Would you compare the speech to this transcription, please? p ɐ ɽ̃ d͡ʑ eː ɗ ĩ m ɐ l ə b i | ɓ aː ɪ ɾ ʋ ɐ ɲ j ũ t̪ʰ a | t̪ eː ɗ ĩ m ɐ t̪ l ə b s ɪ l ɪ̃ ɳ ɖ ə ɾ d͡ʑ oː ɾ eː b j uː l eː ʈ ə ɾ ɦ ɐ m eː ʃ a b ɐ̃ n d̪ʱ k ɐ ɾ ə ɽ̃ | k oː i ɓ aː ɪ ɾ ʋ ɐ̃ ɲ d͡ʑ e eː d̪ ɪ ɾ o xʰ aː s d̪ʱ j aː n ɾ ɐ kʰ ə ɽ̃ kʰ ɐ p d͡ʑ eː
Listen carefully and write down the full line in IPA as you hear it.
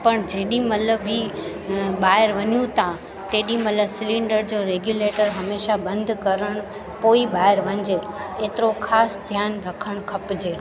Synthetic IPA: p ɐ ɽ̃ d͡ʑ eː ɗ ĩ m ɐ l ə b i | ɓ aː ɪ ɾ ʋ ɐ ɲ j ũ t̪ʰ a | t̪ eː ɗ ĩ m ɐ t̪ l ə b s ɪ l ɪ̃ ɳ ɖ ə ɾ d͡ʑ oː ɾ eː ɡ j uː l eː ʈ ə ɾ ɦ ɐ m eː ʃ a b ɐ̃ n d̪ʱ k ɐ ɾ ə ɽ̃ | p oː i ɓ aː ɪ ɾ ʋ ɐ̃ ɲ d͡ʑ e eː t̪ ɪ ɾ o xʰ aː s d̪ʱ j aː n ɾ ɐ kʰ ə ɽ̃ kʰ ɐ p d͡ʑ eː